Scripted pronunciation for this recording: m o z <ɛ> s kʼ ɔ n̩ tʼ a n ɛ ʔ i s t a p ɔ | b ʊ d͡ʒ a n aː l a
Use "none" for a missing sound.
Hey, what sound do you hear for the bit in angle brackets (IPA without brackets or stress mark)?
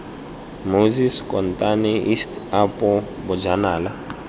i